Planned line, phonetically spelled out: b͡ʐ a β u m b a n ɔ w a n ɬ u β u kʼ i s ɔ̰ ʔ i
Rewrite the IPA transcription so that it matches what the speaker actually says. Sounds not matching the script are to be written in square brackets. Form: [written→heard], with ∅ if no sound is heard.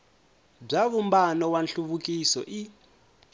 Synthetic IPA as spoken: b͡ʐ a β u m b a n ɔ w a n ɬ u β u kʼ i s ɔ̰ ʔ i